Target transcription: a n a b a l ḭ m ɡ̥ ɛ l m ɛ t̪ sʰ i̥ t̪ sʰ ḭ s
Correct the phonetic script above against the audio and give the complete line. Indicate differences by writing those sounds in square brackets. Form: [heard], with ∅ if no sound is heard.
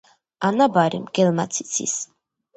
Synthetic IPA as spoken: a n a b a [ɾ] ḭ m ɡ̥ ɛ l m [a] t̪ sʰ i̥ t̪ sʰ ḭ s